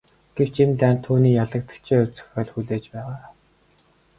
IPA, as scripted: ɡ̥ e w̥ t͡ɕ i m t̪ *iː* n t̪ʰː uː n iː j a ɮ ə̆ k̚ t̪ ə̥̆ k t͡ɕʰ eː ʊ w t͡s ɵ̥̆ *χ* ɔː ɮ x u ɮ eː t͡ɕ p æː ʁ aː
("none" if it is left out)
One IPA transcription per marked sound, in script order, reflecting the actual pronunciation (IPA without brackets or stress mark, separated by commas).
æː, x